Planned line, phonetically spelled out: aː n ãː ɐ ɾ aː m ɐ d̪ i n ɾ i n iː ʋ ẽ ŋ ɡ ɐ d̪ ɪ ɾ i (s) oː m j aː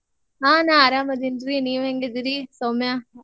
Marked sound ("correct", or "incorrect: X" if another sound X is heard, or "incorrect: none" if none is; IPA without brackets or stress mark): correct